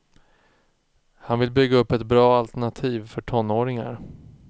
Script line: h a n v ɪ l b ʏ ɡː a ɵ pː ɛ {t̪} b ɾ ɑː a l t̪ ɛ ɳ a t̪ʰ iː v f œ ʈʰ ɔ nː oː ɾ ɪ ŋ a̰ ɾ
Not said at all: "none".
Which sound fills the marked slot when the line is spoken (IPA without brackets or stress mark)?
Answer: t̪